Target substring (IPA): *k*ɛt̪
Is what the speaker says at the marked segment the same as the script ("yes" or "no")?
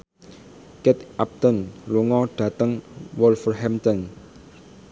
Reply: yes